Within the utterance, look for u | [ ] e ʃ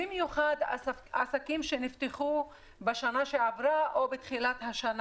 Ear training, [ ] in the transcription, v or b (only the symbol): b